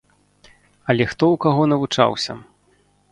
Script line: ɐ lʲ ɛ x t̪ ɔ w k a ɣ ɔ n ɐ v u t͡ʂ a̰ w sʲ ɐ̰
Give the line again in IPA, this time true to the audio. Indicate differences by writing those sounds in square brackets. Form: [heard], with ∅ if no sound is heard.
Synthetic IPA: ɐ lʲ ɛ x t̪ ɔ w k a ɣ ɔ n ɐ v u t͡ʂ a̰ w sʲ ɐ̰